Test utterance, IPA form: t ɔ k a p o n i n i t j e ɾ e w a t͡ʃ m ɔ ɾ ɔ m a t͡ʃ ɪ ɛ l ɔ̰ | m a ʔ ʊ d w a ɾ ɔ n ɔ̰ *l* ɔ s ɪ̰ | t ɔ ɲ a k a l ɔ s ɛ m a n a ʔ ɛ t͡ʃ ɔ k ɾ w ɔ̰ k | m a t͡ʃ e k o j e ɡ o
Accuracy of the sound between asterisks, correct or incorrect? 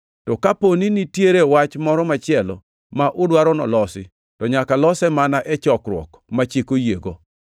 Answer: correct